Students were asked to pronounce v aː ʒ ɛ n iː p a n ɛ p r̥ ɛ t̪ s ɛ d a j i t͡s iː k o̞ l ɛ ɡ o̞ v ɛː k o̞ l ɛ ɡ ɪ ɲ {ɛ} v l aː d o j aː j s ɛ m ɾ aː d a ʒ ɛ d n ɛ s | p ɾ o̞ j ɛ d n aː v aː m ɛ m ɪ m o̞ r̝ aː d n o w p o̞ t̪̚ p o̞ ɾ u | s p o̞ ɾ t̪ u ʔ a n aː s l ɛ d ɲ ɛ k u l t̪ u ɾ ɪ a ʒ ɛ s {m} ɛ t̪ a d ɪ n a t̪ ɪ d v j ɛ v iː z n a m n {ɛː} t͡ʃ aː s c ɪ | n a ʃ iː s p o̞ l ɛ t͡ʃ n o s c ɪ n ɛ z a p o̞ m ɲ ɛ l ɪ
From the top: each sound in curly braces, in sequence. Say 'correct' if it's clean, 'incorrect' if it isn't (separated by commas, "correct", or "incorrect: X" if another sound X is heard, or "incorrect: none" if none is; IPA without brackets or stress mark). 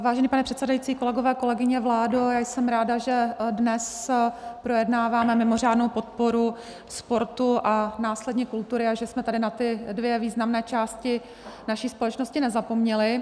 correct, correct, correct